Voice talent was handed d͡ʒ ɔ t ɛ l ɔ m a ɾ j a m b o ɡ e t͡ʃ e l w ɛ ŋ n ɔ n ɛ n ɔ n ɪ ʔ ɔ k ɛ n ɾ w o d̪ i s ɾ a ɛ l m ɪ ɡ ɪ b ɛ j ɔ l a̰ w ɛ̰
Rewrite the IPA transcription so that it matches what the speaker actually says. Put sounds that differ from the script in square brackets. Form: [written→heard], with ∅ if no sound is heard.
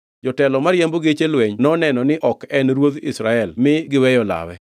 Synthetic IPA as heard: d͡ʒ ɔ t ɛ l ɔ m a ɾ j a m b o ɡ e t͡ʃ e l w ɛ [ŋ→ɲ] n ɔ n ɛ n ɔ n ɪ ʔ ɔ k ɛ n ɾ w o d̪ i s ɾ a ɛ l m ɪ ɡ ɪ [b→w] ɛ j ɔ l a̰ w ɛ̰